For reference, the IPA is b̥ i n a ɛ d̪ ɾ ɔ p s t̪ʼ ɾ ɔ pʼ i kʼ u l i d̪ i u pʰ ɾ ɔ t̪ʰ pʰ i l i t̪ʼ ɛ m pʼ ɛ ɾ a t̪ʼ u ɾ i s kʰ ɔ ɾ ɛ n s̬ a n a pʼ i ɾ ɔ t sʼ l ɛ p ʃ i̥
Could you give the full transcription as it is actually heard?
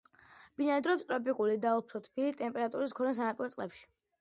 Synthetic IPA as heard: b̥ i n a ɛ d̪ ɾ ɔ p s t̪ʼ ɾ ɔ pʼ i kʼ u l i d̪ a u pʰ ɾ ɔ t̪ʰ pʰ i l i t̪ʼ ɛ m pʼ ɛ ɾ a t̪ʼ u ɾ i s kʰ ɔ ɾ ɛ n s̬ a n a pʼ i ɾ ɔ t sʼ l ɛ p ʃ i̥